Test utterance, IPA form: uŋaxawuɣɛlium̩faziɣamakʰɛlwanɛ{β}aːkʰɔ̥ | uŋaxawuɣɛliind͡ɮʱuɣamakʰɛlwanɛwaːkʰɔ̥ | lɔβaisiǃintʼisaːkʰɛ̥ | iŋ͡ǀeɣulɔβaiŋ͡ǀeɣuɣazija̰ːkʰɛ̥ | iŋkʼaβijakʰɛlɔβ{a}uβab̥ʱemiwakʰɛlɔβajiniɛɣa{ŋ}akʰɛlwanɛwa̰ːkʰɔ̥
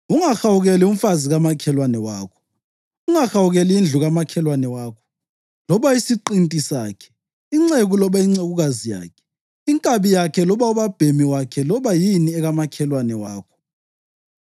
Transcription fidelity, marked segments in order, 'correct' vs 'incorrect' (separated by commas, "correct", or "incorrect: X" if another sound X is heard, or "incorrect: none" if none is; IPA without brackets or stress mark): incorrect: w, correct, incorrect: m